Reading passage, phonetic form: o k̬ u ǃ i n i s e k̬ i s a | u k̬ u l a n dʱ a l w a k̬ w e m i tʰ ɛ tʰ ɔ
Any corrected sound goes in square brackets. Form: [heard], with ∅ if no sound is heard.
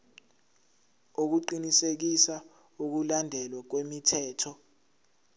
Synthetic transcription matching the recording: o k̬ u ǃ i n i s e k̬ i s a | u k̬ u l a n dʱ [ɛ] l w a k̬ w e m i tʰ [ɛː] tʰ ɔ